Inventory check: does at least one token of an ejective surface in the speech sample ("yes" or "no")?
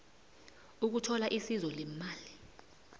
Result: no